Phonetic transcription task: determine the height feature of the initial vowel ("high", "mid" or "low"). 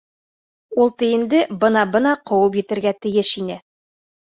high